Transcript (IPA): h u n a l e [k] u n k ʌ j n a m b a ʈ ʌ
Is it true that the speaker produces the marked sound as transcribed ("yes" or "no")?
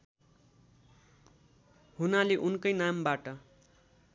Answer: no